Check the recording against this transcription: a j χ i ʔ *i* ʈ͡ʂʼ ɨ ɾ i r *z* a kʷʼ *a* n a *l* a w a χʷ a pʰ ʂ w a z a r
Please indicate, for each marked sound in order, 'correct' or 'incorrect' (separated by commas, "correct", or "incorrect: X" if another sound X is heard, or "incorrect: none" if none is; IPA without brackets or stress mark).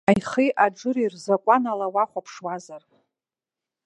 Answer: incorrect: a, correct, correct, correct